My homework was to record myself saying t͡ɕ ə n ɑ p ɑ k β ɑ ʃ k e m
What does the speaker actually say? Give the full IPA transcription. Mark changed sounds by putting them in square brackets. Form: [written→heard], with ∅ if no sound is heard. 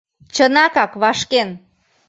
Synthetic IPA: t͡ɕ ə n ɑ [p→k] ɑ k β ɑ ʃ k e [m→n]